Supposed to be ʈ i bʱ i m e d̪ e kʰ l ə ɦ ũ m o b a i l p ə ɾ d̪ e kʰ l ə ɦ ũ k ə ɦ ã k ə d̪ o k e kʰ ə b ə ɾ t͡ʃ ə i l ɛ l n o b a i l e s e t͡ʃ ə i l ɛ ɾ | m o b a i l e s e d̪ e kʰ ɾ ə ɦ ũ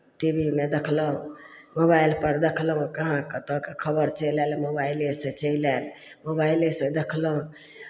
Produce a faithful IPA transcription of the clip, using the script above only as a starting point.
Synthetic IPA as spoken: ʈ i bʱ i m e d̪ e kʰ l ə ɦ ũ m o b a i l p ə ɾ d̪ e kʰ l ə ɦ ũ k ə ɦ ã k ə t̪ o k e kʰ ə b ə ɾ t͡ʃ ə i l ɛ l m o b a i l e s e t͡ʃ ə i l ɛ l | m o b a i l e s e d̪ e kʰ l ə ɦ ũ